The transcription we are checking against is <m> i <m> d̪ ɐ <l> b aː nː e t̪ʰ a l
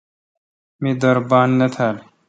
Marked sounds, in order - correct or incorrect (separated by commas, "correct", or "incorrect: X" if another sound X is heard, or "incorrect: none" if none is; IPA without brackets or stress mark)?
correct, incorrect: none, incorrect: ɾ